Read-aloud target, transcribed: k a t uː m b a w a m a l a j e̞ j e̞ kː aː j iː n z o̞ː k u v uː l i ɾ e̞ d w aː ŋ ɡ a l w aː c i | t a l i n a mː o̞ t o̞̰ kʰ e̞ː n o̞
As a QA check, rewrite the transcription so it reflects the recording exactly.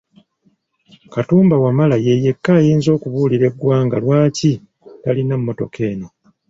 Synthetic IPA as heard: k a t uː m b a w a m a l a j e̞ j e̞ kː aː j iː n z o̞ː k u β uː l i ɾ e̞ ɡ w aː ŋ ɡ a l w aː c i | t a l i n a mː o̞ t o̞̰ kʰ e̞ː n o̞